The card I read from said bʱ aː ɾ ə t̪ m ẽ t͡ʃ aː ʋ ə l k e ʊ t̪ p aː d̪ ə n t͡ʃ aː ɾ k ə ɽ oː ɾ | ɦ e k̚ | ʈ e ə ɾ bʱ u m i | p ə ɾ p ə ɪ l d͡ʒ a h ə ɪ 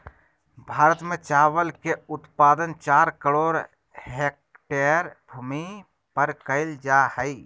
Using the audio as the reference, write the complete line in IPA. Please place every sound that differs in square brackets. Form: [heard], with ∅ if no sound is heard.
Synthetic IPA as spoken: bʱ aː ɾ ə t̪ m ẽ t͡ʃ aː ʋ ə l k e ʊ t̪ p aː d̪ ə n t͡ʃ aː ɾ k ə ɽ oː ɾ | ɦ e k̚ | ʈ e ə ɾ bʱ u m i | p ə ɾ [k] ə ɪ l d͡ʒ a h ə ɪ